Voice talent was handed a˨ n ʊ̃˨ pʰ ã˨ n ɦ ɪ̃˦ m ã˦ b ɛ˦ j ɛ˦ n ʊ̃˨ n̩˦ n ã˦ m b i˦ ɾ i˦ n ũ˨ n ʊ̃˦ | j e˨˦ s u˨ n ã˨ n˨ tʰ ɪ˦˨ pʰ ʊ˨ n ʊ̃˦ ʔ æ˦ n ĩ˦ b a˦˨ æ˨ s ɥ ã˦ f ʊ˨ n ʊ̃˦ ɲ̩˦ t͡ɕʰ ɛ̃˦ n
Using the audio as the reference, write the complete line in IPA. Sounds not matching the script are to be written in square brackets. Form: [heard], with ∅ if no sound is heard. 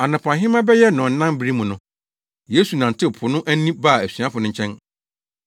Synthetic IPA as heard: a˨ n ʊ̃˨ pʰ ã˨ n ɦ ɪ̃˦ m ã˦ b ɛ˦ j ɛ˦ n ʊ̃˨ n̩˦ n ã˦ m b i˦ ɾ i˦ [m] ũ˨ n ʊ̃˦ | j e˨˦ s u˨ n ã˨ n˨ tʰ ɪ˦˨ pʰ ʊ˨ n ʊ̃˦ ʔ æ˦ n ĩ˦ b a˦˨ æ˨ s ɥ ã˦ f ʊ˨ n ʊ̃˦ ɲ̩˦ t͡ɕʰ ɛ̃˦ n

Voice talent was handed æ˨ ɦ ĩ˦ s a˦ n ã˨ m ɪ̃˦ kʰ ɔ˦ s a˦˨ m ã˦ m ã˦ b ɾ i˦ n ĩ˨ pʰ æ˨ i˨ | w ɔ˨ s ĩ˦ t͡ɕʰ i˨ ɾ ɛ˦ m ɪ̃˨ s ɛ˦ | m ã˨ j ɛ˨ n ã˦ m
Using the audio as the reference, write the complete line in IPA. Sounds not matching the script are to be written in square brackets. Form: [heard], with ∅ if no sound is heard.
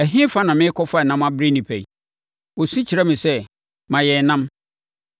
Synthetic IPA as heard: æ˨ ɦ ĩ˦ [f] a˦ n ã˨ m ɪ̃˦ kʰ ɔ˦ [f] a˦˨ [n] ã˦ m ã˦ b ɾ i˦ n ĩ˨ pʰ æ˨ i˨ | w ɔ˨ s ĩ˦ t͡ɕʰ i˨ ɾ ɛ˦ m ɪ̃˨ s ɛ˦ | m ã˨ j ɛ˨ n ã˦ m

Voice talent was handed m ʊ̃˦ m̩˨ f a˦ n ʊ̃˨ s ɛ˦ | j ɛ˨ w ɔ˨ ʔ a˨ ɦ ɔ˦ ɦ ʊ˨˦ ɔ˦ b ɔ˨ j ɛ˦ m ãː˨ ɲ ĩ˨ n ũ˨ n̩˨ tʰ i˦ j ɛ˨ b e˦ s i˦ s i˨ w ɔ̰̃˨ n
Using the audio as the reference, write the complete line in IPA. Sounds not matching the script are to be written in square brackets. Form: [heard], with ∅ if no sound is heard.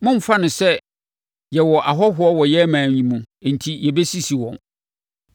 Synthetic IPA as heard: m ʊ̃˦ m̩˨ f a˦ n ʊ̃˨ s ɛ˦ | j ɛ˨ w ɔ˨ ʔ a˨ ɦ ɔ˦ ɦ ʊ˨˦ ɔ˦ [w] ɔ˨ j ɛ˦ m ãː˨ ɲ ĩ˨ [m] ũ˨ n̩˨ tʰ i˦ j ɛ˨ b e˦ s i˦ s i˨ w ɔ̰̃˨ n

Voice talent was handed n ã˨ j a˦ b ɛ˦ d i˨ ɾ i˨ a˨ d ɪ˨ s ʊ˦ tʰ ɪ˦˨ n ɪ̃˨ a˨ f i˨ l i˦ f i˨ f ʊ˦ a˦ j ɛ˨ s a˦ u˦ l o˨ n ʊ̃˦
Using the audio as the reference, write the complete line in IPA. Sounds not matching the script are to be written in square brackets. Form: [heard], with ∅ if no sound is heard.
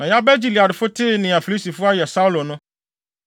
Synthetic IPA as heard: n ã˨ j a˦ b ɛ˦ [d͡ʑ] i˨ [l] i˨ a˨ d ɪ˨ [f] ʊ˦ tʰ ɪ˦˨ n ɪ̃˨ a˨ f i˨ l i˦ [s] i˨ f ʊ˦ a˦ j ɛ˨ s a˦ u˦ l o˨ n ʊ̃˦

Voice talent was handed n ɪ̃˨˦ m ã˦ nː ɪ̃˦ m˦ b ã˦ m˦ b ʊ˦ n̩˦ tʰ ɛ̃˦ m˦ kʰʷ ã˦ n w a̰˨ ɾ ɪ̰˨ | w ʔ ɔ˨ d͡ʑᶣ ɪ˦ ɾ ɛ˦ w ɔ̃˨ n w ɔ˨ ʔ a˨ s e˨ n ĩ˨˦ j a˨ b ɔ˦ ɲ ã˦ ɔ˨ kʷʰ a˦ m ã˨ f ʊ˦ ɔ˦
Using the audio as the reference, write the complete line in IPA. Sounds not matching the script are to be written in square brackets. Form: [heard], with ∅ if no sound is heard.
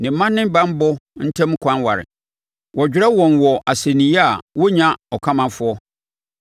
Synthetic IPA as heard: n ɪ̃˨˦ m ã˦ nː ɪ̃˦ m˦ b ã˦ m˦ b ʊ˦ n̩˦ tʰ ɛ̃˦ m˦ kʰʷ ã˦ n w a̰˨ ɾ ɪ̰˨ | w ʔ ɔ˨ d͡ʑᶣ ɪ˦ ɾ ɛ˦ w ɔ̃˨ n w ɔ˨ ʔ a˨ s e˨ n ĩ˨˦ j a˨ [w] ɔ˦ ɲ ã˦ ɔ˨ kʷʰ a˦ m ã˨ f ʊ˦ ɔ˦

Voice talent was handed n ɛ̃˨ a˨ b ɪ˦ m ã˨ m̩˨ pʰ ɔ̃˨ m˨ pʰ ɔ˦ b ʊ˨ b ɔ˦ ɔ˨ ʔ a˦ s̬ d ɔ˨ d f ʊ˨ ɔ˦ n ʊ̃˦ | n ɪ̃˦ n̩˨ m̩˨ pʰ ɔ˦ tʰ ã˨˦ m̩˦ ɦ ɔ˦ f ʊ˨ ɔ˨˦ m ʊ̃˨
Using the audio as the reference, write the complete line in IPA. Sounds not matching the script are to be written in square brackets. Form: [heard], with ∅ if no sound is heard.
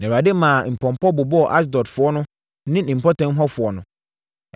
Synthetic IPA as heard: n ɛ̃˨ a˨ [d] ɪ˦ m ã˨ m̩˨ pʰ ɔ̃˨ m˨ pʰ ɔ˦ b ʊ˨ b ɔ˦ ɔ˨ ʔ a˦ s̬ d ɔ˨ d f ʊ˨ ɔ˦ n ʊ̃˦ | n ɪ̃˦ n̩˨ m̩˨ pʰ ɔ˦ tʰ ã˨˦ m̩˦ ɦ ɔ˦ f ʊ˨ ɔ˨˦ [n] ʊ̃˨

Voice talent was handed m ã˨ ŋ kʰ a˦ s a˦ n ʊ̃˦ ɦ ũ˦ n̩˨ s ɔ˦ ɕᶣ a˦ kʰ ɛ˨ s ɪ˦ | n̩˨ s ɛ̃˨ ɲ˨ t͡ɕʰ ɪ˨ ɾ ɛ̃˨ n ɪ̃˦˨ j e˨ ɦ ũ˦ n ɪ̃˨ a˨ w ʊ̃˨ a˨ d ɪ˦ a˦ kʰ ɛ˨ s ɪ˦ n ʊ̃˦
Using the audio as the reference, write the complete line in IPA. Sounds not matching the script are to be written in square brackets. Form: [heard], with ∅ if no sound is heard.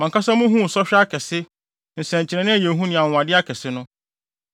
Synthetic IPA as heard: m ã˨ ŋ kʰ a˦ s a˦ [m] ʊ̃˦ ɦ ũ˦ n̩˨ s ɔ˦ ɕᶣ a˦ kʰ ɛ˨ s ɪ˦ | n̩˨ s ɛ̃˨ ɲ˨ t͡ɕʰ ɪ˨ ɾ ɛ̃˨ n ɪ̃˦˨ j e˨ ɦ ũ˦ n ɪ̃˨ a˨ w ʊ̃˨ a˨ d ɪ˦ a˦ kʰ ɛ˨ s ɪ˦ n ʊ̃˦

